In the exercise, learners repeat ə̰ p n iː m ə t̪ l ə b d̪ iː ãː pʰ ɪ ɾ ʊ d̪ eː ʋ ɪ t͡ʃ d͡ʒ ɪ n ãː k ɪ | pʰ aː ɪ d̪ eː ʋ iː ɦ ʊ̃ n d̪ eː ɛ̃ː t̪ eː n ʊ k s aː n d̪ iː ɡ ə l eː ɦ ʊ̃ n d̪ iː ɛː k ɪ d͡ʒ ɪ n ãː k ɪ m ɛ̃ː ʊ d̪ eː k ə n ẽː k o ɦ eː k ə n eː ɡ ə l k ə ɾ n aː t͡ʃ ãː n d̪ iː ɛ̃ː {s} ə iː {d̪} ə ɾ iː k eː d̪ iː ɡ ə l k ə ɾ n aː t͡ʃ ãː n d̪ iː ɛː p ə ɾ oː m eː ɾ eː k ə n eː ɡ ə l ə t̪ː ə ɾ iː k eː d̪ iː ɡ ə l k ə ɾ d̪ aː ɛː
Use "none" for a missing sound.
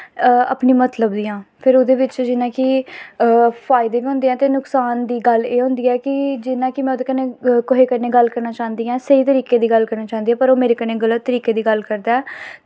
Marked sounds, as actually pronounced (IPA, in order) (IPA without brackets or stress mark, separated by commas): s, t̪